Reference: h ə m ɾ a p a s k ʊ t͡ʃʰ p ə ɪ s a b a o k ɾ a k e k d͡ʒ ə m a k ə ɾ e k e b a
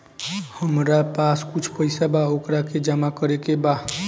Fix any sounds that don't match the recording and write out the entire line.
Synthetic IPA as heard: h ə m ɾ a p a s k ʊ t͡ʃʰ p ə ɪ s a b a o k ɾ a k e d͡ʒ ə m a k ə ɾ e k e b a